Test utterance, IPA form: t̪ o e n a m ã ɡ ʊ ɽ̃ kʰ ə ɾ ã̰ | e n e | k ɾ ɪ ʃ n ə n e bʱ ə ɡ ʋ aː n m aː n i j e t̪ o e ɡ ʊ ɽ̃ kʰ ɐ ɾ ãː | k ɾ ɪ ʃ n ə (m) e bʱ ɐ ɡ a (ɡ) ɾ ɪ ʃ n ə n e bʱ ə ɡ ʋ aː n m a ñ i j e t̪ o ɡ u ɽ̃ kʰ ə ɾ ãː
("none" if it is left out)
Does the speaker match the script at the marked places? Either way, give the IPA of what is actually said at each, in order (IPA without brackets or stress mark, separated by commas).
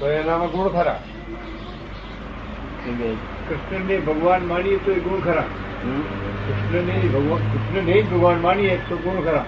n, k